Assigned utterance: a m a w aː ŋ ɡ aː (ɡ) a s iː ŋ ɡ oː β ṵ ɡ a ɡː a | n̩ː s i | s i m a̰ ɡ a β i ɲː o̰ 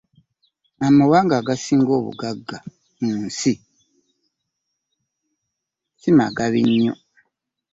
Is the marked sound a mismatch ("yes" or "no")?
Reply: no